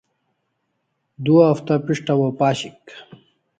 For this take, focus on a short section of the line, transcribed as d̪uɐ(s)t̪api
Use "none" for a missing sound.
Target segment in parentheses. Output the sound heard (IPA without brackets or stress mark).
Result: f